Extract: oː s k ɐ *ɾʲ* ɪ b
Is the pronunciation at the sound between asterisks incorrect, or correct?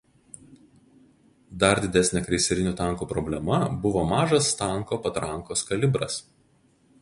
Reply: incorrect